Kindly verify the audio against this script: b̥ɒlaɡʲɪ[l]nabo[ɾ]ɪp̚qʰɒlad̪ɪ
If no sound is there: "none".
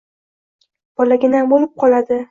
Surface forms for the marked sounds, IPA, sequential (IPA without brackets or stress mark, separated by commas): none, l